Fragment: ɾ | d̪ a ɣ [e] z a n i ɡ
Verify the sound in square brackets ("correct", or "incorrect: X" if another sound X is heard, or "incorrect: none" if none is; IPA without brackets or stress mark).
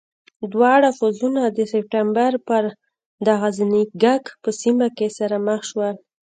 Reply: incorrect: a